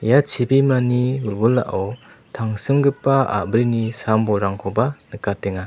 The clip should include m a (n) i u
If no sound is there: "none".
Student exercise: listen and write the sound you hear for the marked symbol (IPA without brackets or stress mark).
n